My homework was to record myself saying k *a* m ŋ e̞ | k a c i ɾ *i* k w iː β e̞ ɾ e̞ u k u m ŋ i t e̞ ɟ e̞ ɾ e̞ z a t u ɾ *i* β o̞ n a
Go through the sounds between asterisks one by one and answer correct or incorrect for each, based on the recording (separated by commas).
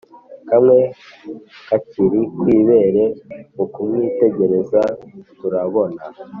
correct, correct, incorrect